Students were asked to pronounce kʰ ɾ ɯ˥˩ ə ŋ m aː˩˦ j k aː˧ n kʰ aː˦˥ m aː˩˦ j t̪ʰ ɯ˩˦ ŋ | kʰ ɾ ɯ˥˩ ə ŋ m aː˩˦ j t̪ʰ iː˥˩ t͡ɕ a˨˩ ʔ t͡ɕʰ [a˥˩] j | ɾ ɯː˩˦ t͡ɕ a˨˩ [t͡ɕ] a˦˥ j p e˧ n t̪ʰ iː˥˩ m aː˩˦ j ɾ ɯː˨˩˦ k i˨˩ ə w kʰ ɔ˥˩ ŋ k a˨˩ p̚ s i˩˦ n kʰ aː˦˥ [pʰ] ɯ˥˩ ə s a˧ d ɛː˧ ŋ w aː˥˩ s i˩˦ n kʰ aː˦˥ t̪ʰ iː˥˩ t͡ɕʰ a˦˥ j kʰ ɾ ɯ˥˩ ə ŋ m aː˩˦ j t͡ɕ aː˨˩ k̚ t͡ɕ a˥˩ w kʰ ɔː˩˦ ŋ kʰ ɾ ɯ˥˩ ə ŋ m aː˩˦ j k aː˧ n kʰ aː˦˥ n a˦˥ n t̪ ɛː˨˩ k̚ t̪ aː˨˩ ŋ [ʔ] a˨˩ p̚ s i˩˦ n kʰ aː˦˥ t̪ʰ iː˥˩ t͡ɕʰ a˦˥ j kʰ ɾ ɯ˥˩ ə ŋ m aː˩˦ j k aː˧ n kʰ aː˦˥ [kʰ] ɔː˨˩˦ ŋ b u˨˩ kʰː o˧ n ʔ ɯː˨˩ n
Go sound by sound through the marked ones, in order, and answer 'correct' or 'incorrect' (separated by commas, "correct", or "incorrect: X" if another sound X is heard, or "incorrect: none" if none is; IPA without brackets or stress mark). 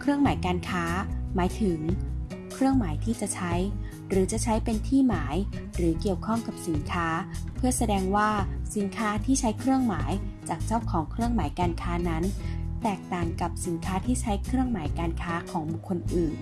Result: incorrect: a˦˥, incorrect: t͡ɕʰ, correct, incorrect: k, correct